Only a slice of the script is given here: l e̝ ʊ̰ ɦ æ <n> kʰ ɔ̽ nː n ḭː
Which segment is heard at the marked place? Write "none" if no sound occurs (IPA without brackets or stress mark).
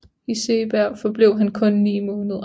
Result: n